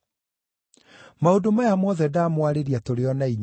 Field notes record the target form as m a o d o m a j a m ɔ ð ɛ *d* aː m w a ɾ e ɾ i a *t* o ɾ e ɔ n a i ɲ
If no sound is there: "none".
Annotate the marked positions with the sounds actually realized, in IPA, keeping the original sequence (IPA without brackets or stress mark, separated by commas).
d, t